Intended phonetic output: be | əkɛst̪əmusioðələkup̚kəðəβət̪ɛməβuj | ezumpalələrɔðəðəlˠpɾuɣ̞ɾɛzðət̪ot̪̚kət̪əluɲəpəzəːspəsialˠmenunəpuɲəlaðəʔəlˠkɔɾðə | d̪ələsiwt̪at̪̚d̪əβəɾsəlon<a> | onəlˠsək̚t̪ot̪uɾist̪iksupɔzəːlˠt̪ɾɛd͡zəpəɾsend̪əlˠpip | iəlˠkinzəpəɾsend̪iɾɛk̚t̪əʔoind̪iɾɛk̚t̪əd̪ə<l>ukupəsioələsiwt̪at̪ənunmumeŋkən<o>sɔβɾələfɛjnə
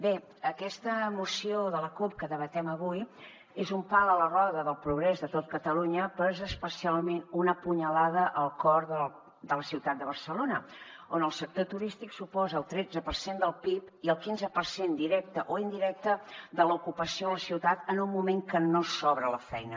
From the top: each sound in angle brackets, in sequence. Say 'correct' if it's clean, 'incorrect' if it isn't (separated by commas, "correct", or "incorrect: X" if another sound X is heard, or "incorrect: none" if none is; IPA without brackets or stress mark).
incorrect: ə, correct, correct